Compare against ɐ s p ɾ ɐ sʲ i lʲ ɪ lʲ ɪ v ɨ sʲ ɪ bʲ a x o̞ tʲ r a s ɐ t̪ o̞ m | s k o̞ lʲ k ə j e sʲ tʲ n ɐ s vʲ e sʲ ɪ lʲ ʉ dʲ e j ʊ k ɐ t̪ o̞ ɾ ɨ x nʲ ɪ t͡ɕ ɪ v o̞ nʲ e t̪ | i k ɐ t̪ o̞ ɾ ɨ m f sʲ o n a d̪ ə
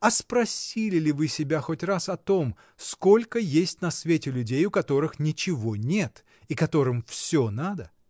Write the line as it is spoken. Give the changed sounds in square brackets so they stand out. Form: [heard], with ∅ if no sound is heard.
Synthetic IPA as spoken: ɐ s p ɾ ɐ sʲ i lʲ ɪ lʲ ɪ v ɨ sʲ ɪ bʲ a x o̞ tʲ r a s ɐ t̪ o̞ m | s k o̞ lʲ k ə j e sʲ tʲ n ɐ s vʲ e [tʲ] ɪ lʲ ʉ dʲ e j ʊ k ɐ t̪ o̞ ɾ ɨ x nʲ ɪ t͡ɕ ɪ v o̞ nʲ e t̪ | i k ɐ t̪ o̞ ɾ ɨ m f sʲ o n a d̪ ə